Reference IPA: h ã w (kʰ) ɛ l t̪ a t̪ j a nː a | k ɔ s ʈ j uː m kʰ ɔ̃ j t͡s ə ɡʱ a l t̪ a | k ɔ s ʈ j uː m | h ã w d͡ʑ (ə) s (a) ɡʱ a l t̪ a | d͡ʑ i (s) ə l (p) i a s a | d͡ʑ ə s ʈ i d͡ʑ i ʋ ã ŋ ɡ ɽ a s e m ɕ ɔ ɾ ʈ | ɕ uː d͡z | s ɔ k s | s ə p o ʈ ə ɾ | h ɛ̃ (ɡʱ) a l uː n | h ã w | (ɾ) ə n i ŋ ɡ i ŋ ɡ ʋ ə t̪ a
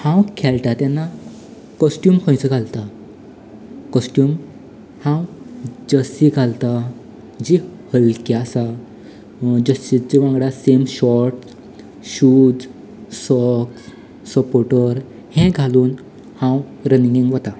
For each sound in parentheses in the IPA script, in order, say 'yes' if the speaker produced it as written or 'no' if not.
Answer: yes, yes, no, no, no, yes, yes

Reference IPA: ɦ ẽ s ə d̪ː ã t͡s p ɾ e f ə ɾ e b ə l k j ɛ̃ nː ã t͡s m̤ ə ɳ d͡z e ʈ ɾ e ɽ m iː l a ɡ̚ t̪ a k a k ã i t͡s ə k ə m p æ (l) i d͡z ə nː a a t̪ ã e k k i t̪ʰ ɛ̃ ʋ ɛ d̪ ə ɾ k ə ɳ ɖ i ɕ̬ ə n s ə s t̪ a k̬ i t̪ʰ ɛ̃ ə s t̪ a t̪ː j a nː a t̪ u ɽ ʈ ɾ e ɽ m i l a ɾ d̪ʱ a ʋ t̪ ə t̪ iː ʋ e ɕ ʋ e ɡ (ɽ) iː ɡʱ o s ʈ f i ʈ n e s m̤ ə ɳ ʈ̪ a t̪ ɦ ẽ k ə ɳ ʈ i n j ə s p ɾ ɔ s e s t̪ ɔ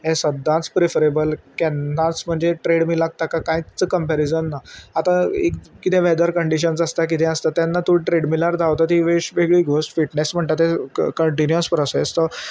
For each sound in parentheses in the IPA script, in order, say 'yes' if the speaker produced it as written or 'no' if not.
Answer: no, no

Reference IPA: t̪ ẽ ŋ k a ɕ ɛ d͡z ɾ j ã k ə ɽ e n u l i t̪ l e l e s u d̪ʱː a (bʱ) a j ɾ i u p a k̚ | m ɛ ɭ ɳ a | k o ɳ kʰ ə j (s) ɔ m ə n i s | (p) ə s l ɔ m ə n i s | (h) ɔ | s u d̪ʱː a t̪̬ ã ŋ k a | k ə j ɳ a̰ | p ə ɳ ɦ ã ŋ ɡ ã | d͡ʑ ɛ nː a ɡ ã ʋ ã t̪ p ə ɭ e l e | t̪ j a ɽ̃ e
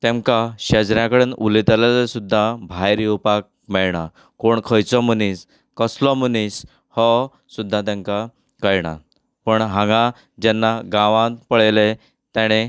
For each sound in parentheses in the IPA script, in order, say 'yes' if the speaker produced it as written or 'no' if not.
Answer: yes, no, no, yes

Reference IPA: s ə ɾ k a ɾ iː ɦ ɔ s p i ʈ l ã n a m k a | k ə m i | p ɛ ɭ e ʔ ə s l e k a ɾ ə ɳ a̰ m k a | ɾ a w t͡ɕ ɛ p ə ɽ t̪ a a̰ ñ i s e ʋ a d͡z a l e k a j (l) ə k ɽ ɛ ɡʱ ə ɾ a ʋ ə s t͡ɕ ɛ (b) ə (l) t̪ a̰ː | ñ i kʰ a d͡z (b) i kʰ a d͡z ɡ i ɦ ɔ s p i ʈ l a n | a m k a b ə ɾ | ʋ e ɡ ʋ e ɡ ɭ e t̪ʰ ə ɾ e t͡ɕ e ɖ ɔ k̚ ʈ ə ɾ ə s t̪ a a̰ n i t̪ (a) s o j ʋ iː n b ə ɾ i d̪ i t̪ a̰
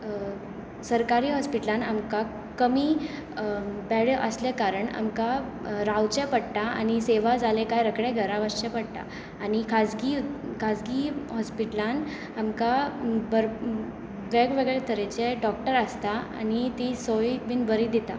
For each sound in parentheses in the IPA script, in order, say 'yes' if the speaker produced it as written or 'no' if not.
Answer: no, no, no, no, no

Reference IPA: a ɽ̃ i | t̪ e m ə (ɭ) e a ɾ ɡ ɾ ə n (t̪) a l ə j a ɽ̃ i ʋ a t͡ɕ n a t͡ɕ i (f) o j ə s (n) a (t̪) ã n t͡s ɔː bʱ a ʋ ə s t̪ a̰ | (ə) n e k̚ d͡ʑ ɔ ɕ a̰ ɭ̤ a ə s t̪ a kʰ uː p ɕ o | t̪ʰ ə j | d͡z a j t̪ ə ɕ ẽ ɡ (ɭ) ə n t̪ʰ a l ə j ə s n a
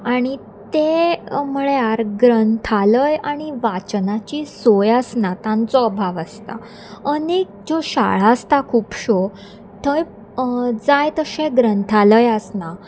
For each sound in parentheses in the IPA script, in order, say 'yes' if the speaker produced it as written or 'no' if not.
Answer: yes, no, no, yes, yes, yes, no

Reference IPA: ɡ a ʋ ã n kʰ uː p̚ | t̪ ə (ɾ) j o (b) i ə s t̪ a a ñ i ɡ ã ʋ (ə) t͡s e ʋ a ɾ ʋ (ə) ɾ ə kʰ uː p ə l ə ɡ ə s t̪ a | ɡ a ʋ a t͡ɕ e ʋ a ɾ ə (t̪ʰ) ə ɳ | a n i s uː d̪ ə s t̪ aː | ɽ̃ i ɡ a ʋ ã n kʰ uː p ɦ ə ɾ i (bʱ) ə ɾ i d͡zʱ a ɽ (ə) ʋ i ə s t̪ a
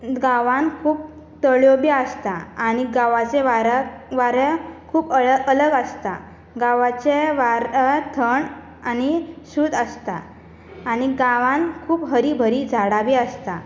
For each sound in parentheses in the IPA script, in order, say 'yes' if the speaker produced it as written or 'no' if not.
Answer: no, yes, no, no, yes, yes, no

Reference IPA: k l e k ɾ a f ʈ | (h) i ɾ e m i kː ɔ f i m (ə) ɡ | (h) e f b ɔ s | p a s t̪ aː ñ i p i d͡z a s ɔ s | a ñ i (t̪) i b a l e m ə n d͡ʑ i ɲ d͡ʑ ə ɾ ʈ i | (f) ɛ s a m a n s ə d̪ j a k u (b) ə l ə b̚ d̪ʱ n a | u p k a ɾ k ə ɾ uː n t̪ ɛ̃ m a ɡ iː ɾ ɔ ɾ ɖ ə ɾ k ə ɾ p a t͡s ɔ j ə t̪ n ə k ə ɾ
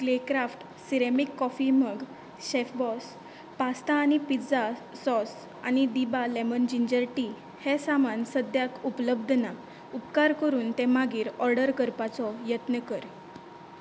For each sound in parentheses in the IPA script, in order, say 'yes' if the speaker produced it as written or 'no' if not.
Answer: no, yes, no, no, no, no

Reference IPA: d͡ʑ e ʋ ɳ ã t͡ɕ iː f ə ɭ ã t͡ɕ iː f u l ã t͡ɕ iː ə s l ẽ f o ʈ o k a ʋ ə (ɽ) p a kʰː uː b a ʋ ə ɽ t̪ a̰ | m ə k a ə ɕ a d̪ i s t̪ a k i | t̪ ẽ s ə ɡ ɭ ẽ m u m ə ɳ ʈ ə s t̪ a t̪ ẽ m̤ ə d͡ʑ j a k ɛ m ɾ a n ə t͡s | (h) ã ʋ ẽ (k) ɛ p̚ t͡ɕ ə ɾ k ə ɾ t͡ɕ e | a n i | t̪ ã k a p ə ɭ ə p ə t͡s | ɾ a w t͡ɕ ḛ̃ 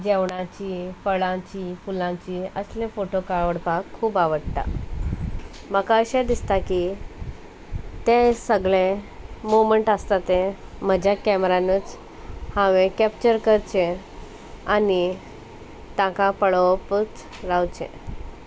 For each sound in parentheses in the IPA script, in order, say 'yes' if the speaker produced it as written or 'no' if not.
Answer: yes, yes, yes

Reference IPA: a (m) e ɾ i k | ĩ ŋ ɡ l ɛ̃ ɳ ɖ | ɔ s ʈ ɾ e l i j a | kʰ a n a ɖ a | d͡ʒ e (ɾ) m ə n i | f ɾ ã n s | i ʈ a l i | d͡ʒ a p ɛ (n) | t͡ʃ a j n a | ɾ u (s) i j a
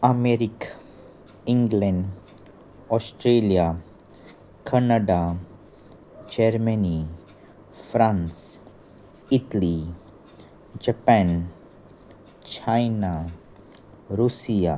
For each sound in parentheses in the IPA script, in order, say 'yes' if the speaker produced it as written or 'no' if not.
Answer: yes, yes, yes, yes

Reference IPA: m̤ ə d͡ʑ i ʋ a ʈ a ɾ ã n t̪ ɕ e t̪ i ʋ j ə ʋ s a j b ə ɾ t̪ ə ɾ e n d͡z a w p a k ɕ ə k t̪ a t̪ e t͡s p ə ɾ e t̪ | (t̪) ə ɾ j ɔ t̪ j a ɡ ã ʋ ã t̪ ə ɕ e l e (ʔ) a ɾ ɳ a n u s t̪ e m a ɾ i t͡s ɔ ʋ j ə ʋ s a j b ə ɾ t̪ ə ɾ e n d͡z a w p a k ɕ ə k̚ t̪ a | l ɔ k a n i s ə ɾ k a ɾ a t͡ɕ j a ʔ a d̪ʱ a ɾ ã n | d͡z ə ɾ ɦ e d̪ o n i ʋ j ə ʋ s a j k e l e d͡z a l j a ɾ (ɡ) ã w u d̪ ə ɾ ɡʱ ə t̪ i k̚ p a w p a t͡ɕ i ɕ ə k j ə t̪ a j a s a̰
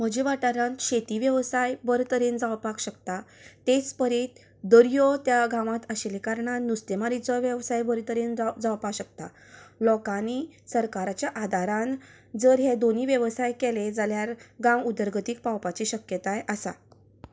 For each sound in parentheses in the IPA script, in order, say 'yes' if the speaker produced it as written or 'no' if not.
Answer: no, no, yes

